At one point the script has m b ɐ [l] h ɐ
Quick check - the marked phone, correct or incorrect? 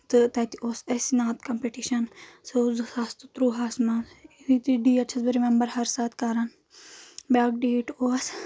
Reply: incorrect